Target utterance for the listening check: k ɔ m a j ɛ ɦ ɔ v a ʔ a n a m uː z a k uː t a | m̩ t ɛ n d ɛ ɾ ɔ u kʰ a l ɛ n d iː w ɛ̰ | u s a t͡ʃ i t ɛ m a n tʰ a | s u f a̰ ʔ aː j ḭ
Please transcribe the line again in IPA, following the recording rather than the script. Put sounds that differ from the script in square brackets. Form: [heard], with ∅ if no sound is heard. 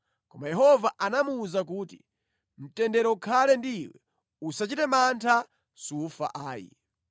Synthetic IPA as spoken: k ɔ m a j ɛ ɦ ɔ v a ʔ a n a m uː z a k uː t [i] | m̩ t ɛ n d ɛ ɾ ɔ u kʰ a l ɛ n d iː w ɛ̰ | u s a t͡ʃ i t ɛ m a n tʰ a | s u f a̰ ʔ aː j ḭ